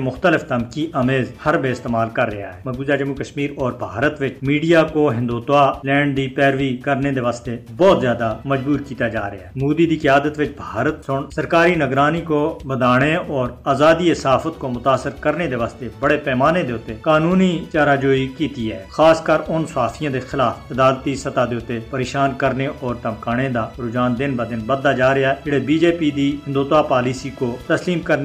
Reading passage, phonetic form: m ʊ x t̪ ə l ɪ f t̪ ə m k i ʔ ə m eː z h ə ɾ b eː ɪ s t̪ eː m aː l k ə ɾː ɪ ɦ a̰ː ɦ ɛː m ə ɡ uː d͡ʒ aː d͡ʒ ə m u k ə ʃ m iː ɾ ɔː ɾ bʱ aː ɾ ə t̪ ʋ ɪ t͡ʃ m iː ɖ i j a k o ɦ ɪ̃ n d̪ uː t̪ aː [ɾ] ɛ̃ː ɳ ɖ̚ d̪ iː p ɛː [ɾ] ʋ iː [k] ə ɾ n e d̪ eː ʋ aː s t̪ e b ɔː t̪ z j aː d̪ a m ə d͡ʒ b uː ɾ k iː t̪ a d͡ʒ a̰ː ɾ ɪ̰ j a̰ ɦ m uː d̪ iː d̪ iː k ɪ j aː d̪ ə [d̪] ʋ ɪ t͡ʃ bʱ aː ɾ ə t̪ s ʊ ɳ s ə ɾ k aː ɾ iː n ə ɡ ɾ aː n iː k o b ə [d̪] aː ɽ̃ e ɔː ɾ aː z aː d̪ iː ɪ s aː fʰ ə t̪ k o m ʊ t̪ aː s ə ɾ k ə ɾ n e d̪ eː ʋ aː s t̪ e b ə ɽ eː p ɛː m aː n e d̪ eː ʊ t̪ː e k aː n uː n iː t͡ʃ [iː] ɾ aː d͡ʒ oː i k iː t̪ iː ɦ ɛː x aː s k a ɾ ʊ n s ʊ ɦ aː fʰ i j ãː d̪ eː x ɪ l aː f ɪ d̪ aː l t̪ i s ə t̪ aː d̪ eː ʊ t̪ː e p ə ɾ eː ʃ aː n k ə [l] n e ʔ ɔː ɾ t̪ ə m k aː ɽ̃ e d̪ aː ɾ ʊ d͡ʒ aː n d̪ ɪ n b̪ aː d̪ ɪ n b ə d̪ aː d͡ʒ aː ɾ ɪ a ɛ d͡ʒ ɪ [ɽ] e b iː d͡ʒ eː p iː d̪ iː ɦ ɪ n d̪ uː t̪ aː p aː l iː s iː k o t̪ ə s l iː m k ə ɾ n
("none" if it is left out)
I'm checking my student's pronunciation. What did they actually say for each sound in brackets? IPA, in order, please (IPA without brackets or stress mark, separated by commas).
l, ɾ, k, t̪, d̪, aː, ɾ, ɽ